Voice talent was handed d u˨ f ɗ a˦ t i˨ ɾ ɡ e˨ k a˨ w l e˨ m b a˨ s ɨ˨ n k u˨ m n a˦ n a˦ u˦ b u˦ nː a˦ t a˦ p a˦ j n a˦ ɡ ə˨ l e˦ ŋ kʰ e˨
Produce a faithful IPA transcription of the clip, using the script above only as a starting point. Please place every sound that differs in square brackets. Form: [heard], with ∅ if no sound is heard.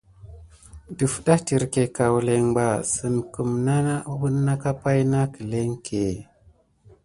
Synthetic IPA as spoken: d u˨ f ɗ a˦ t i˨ ɾ [k] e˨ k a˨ w l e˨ [ŋ] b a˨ s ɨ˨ n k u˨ m n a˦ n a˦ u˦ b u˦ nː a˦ [k] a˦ p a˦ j n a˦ [k] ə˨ l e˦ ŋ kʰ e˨